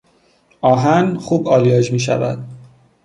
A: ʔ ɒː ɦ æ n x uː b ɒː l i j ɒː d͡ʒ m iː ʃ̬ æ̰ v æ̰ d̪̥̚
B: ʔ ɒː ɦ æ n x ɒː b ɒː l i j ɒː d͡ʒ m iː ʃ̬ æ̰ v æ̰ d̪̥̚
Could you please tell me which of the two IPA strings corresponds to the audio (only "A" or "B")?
A